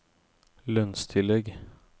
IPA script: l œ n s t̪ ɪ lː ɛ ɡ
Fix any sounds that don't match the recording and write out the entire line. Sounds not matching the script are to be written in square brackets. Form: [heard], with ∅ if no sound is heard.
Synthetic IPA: l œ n s [t̪ʰ] ɪ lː ɛ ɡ